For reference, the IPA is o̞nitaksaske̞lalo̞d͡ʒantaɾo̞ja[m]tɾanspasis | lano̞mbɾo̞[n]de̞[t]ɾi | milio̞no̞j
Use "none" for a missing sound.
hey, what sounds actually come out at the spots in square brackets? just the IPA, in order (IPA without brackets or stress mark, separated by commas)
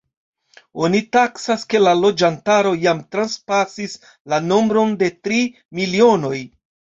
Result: m, n, t